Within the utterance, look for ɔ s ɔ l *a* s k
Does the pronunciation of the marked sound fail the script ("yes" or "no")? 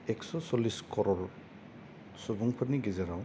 yes